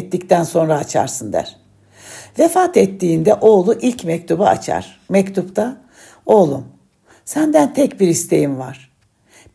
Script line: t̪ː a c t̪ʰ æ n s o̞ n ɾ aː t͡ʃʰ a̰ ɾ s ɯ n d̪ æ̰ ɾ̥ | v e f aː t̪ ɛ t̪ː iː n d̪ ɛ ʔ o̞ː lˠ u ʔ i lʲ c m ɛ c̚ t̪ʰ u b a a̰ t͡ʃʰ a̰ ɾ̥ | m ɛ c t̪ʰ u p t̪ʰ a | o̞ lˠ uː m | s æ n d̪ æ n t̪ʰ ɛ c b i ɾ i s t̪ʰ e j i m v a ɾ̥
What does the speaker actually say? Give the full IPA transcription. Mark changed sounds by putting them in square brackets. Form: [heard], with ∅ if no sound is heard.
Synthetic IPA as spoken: t̪ː [i] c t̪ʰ æ n s o̞ n ɾ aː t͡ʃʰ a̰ ɾ s ɯ n d̪ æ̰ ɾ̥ | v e f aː t̪ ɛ t̪ː iː n d̪ ɛ ʔ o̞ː lˠ u ʔ i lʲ c m ɛ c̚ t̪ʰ u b a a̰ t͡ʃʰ a̰ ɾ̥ | m ɛ c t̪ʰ u p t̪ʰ a | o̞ lˠ [u] m | s æ n d̪ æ n t̪ʰ ɛ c b i ɾ i s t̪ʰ e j i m v a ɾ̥